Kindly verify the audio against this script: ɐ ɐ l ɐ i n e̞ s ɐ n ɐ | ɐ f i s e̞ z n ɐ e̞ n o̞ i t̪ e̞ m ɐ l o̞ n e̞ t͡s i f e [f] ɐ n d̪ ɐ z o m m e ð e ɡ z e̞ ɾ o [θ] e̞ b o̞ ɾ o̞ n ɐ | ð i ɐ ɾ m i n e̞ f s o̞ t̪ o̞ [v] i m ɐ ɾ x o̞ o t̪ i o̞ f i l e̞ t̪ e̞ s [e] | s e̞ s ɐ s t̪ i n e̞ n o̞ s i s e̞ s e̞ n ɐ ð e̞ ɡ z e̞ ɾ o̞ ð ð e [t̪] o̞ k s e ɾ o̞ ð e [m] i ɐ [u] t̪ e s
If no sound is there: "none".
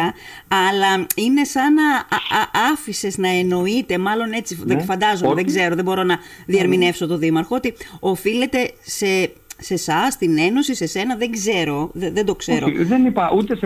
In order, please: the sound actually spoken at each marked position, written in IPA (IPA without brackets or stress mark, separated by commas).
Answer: f, ð, ð, e, d̪, n, u